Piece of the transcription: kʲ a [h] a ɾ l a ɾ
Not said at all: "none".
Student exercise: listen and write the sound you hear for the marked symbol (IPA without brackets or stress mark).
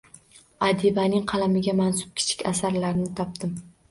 s